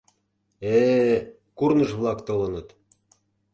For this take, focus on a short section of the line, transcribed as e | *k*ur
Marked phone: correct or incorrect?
correct